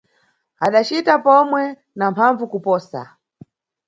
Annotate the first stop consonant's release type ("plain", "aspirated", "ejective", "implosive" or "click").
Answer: implosive